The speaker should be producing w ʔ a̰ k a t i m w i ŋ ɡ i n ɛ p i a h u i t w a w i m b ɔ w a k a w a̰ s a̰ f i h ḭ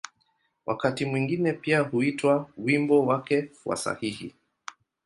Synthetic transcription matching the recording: w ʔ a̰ k a t i m w i ŋ ɡ i n ɛ p i a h u i t w a w i m b ɔ w a k ɛ w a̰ s a̰ h i h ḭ